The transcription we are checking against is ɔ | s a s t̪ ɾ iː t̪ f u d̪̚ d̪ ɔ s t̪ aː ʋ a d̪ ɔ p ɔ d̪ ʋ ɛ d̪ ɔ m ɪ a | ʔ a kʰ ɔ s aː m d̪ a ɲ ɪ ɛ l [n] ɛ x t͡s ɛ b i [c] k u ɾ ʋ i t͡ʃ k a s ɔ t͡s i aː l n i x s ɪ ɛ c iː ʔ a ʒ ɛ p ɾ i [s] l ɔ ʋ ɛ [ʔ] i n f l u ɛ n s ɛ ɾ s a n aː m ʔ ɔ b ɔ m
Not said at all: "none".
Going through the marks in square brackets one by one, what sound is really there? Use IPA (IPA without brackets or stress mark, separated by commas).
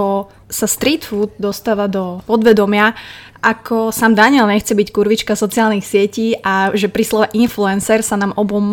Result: ɲ, c, s, ʔ